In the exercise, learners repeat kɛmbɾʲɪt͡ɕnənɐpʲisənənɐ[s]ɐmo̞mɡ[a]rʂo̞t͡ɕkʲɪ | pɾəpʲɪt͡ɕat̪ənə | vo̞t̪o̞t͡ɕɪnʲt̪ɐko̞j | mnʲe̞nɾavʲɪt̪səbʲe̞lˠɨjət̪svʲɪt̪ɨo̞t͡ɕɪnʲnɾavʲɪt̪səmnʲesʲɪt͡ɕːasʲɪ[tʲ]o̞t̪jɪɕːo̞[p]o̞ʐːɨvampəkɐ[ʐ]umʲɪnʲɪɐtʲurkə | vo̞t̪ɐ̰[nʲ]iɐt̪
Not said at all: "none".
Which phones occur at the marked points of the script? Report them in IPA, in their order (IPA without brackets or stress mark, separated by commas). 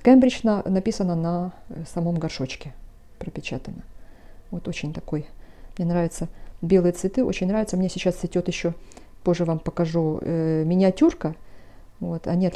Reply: s, ɐ, tʲ, p, ʐ, nʲ